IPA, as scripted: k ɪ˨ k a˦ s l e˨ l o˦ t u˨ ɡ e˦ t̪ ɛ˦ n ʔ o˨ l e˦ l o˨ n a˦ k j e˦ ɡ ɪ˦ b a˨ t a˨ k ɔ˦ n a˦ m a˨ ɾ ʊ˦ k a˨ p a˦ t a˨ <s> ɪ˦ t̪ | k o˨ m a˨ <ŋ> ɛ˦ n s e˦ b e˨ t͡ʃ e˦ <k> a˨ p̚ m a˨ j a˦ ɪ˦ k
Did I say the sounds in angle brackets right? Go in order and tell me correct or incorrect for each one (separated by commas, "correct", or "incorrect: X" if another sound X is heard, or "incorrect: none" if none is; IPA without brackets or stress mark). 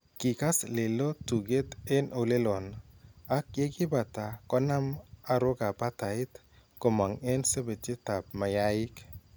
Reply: incorrect: none, correct, incorrect: t